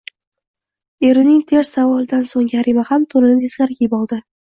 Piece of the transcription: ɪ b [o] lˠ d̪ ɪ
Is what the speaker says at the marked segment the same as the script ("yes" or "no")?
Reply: no